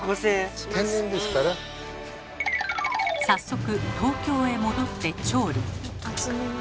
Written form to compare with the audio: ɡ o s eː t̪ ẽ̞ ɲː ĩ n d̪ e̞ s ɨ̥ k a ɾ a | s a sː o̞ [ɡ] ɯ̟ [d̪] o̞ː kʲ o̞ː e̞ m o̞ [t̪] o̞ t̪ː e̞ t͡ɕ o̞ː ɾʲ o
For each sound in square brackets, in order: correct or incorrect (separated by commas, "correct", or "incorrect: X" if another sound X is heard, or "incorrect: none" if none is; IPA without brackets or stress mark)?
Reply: incorrect: k, incorrect: t̪, incorrect: d̪